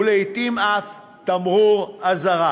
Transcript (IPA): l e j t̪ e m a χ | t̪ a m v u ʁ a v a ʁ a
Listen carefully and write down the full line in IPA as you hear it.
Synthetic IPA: l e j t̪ i m a f | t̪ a m ʁ u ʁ a z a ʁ a